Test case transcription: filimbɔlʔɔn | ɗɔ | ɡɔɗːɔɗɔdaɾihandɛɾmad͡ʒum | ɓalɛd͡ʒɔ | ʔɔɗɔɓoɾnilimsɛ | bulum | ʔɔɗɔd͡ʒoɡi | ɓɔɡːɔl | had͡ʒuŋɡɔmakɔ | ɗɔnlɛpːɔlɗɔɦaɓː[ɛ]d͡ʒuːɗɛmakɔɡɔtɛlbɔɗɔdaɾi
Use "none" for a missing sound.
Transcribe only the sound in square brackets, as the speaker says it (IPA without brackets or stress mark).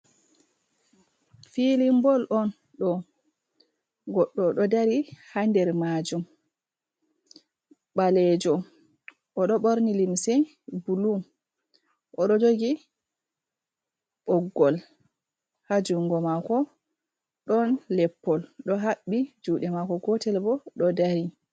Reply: i